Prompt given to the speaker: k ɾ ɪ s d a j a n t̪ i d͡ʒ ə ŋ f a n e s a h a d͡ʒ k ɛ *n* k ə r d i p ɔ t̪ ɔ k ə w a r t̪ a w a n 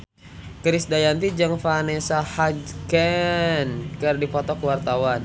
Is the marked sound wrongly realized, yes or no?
no